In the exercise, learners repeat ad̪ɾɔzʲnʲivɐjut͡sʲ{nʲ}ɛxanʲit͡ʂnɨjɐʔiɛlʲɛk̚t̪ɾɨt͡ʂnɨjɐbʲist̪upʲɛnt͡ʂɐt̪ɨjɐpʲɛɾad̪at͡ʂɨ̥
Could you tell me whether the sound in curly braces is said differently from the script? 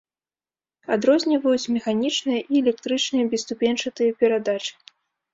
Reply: yes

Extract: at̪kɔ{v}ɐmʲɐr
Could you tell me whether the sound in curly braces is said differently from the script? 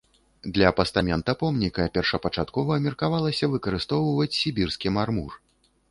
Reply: no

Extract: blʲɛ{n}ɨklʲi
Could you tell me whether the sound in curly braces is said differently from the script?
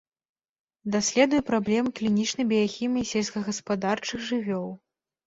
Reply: yes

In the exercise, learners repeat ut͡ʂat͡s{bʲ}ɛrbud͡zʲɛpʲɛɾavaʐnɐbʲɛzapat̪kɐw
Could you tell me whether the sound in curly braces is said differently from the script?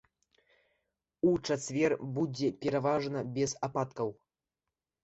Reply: yes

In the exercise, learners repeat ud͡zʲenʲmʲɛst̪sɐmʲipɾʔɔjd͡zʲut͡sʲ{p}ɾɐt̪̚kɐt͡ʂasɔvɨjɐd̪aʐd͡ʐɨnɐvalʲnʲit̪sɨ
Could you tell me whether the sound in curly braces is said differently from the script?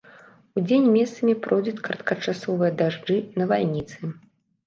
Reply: yes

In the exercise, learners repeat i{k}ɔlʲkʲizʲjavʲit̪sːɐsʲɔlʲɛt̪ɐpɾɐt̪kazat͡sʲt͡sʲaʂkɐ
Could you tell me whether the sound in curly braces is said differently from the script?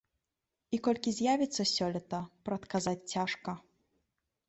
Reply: no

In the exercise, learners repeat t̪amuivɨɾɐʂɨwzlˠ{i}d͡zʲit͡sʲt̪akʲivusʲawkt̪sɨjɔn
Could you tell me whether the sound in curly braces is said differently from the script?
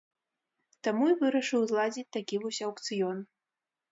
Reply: yes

